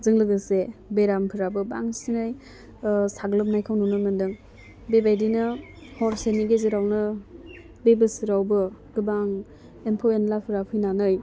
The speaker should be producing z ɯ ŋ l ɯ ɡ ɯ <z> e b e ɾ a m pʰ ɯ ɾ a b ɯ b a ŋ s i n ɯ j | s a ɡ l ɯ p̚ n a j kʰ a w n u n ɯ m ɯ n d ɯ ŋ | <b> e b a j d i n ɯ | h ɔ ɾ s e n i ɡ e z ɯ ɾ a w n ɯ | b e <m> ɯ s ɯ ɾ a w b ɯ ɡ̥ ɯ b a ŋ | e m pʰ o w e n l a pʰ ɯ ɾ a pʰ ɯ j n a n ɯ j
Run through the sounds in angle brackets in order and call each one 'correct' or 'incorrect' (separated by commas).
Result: incorrect, correct, incorrect